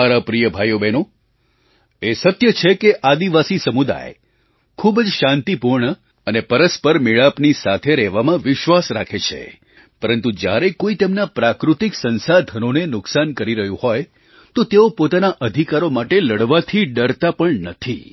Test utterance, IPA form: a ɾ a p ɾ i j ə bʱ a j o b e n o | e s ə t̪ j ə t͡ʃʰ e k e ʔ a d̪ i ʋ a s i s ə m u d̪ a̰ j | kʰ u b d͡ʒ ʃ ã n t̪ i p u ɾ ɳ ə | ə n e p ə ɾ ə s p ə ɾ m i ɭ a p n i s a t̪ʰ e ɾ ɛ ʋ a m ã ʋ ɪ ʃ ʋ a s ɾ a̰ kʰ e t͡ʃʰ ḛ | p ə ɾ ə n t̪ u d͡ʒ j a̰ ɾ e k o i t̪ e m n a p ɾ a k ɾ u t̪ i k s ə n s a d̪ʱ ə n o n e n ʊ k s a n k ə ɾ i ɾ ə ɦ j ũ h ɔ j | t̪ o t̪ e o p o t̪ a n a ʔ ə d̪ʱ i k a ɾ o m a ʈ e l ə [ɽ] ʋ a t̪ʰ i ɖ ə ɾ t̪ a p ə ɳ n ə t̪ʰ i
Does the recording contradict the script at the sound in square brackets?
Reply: no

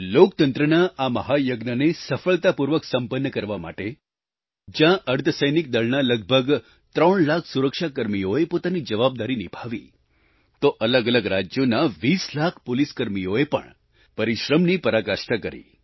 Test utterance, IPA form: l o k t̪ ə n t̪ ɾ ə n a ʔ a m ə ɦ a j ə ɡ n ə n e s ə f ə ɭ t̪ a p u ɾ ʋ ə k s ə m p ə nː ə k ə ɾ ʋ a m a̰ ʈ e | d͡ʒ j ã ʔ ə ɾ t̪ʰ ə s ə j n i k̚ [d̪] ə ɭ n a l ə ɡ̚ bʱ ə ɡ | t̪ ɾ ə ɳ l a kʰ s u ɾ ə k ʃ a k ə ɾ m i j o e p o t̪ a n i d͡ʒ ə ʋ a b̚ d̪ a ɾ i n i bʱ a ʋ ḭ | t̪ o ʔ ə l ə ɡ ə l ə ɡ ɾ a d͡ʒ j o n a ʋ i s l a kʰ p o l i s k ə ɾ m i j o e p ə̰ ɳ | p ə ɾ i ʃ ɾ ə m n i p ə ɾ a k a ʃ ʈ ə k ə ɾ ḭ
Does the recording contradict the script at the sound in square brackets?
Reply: no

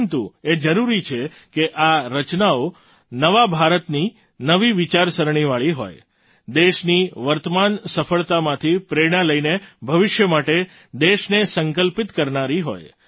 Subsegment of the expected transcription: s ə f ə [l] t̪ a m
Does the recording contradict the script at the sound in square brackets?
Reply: yes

